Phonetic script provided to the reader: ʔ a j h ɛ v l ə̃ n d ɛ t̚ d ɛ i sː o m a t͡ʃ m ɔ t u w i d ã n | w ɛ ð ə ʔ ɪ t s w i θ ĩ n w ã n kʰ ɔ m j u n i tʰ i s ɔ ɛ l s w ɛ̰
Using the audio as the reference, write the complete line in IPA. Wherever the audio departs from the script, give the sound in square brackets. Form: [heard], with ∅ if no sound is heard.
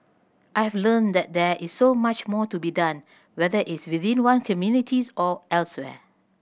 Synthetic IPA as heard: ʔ a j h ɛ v l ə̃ n d ɛ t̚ d ɛ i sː o m a t͡ʃ m ɔ t u [b] i d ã n | w ɛ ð ə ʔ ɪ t s w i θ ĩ n w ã n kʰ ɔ m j u n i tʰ i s ɔ ɛ l s w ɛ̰